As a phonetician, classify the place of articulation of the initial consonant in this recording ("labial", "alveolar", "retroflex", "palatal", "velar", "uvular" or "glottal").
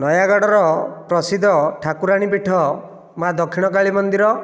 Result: alveolar